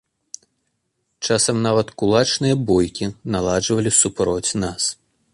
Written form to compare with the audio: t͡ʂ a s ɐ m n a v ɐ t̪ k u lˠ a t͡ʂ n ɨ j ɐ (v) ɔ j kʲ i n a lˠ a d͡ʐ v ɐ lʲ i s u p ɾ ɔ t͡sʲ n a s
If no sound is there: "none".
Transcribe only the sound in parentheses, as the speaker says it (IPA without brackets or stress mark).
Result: b